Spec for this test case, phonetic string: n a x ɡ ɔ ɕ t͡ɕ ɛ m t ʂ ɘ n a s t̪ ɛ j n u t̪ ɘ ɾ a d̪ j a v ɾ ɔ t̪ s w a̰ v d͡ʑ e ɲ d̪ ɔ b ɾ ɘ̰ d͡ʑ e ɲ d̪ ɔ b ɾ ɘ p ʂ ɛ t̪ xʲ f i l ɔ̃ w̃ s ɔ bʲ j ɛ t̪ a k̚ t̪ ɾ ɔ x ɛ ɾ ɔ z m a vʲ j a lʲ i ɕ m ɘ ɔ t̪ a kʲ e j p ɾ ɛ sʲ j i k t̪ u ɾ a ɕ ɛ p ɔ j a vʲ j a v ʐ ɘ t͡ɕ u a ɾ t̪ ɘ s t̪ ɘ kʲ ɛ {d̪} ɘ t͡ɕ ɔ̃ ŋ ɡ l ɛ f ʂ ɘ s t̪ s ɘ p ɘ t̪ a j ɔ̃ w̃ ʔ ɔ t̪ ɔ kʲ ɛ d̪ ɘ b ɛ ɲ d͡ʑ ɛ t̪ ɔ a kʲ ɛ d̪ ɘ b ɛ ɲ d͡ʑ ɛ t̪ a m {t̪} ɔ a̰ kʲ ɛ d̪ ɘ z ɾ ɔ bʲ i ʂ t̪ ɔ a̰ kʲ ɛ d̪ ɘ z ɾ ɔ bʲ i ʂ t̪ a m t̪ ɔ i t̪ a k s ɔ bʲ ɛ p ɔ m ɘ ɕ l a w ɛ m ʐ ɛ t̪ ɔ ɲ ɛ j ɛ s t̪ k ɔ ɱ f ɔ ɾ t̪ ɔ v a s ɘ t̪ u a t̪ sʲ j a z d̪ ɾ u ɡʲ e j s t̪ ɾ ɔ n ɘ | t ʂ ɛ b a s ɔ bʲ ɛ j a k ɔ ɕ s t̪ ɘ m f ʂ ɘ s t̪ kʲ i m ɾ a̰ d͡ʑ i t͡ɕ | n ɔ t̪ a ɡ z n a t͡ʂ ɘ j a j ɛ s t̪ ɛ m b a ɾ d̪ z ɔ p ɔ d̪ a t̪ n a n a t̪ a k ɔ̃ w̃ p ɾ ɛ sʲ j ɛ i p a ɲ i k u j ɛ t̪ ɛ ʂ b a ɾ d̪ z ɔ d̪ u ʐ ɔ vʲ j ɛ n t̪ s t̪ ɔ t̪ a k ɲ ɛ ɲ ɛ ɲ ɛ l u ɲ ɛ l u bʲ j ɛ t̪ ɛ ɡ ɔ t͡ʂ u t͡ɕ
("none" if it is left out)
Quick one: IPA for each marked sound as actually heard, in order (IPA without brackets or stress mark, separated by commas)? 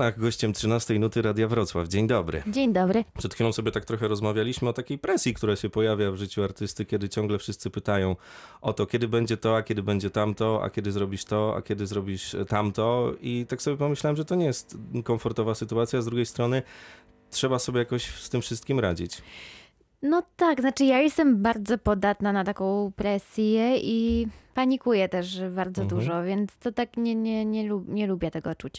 d̪, t̪